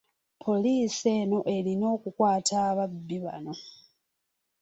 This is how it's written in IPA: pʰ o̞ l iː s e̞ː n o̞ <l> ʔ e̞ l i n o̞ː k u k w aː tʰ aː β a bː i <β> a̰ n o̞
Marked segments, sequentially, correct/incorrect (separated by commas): incorrect, correct